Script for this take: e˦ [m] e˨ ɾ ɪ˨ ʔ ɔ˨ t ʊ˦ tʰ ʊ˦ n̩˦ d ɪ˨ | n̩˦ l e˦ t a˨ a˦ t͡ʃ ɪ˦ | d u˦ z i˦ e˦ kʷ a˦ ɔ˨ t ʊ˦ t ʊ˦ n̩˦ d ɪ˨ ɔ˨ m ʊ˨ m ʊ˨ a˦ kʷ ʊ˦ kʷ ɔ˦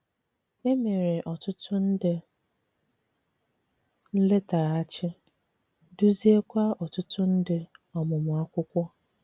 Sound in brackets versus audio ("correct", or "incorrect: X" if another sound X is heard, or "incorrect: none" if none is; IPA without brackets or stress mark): correct